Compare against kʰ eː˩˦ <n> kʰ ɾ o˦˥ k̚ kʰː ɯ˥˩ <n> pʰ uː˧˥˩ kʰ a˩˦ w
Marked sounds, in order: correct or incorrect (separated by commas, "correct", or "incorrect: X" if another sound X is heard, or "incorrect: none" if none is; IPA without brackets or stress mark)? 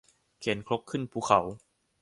correct, correct